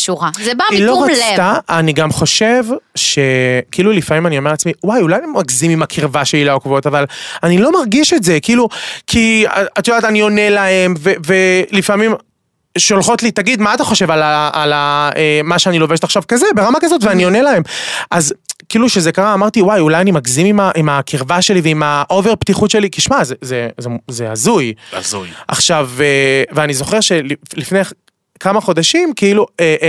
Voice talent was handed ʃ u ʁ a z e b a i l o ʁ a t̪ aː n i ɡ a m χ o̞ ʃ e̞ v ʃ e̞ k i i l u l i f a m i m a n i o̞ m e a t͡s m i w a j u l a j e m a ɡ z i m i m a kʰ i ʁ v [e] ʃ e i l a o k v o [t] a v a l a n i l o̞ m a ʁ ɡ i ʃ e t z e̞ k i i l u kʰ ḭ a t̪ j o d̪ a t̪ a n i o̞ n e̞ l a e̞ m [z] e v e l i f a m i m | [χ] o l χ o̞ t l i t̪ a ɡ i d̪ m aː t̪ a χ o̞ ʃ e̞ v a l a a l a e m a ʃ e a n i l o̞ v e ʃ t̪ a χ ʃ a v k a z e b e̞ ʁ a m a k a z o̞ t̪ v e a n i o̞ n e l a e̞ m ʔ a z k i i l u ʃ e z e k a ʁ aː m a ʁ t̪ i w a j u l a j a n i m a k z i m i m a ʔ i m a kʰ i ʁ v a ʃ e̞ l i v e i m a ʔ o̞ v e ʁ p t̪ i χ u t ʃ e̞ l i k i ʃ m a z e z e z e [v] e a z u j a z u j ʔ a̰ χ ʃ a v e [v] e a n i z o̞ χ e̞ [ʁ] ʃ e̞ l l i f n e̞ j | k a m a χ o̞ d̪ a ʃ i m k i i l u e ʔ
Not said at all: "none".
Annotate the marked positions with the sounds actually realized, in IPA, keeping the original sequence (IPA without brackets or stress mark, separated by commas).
a, t, v, ʃ, z, v, ʁ